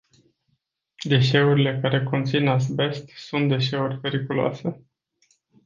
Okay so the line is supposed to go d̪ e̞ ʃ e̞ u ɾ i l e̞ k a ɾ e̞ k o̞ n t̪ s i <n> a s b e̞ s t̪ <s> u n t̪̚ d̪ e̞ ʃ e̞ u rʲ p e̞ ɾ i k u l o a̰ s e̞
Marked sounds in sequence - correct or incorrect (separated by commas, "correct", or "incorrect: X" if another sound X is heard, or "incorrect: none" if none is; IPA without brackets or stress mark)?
correct, correct